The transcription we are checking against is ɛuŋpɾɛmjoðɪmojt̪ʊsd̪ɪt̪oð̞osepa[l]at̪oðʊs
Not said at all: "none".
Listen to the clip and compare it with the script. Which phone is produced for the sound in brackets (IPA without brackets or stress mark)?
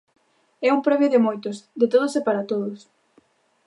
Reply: ɾ